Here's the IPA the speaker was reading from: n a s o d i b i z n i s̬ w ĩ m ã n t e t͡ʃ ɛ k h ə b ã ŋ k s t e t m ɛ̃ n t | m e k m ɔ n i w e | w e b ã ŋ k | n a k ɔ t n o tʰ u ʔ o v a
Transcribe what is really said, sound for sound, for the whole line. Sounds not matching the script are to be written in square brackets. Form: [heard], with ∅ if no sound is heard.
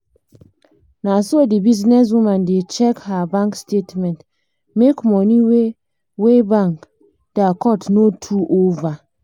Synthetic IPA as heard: n a s o d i b i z n [ɛ] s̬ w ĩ m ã n [d] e t͡ʃ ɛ k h [a] b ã ŋ k s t e t m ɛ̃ n t | m e k m ɔ n i w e | w e b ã ŋ k | [d] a k ɔ t n o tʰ u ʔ o v a